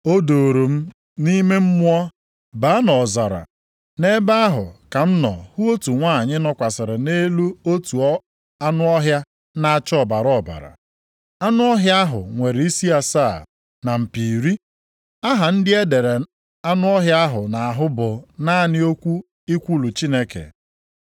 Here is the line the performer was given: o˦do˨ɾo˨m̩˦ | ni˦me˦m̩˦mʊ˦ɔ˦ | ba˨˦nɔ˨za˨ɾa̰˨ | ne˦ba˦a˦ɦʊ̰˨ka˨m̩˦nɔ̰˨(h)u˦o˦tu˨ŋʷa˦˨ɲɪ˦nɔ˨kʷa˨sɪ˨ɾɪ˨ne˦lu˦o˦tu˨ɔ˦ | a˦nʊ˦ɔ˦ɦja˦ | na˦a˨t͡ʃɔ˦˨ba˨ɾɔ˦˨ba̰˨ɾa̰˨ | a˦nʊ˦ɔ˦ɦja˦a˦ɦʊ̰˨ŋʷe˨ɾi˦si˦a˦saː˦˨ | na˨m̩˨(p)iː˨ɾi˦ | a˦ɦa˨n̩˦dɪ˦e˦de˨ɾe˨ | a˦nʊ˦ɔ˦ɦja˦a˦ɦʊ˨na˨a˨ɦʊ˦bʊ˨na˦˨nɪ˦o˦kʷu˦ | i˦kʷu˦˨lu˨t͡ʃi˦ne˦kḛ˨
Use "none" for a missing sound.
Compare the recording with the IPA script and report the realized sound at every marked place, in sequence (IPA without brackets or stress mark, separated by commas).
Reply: h, p